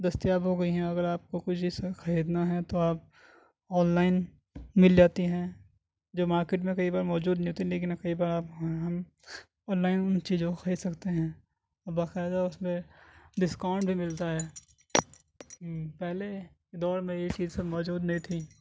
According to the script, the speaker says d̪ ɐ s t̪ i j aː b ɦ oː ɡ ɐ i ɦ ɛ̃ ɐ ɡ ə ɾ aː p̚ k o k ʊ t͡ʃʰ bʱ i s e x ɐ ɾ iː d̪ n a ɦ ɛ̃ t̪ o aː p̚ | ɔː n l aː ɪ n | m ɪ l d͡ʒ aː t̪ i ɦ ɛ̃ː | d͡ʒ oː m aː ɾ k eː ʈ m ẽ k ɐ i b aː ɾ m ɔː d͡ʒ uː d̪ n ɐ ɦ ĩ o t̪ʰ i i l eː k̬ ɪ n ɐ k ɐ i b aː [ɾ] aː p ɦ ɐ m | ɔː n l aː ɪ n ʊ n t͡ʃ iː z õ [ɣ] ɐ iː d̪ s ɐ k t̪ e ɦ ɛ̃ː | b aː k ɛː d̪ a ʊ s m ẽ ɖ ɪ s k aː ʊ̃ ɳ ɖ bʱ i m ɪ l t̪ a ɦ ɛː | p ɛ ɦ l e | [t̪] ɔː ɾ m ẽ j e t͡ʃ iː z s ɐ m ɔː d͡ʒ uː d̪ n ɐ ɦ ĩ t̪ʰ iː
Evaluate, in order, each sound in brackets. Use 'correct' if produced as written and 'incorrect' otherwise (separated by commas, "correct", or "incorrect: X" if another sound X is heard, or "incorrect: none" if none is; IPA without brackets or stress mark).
correct, incorrect: x, incorrect: d̪